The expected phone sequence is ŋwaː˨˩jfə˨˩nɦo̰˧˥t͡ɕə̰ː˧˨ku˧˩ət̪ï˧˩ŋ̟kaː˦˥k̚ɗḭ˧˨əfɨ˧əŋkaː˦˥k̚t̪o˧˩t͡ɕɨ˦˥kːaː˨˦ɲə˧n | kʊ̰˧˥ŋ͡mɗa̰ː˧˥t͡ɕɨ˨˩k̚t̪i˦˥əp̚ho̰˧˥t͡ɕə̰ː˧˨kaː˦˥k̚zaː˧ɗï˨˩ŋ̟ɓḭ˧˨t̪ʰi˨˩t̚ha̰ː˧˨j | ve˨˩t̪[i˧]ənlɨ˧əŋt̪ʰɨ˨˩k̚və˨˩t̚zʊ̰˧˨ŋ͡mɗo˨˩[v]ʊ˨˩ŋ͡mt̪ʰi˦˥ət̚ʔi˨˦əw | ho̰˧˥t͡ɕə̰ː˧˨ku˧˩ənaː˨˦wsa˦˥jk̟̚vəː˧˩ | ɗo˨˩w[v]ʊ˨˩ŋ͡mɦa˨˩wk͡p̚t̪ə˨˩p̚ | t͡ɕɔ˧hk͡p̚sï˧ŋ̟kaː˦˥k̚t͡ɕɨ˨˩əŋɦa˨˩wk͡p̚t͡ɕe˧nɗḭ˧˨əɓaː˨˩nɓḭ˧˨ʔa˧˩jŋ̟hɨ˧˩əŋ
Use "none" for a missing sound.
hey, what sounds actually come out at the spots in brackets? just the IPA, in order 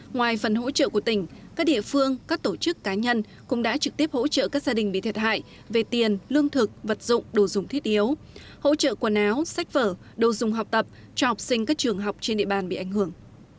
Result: i˨˩, z, z

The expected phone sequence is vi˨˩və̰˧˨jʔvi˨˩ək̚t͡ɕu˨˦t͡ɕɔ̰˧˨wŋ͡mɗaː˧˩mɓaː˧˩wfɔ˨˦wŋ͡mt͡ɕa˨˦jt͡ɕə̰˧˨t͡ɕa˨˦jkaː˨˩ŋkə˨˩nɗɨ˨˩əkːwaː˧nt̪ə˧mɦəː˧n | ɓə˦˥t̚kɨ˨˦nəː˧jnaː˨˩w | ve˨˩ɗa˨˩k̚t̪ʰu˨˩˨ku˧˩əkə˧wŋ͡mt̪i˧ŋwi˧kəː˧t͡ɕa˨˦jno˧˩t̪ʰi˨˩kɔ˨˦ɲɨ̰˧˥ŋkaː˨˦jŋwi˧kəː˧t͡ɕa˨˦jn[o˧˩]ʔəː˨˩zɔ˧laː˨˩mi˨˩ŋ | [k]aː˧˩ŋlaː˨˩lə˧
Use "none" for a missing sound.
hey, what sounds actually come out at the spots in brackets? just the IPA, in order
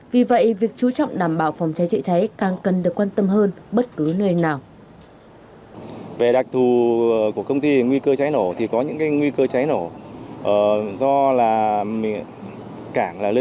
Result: o˧˩, k

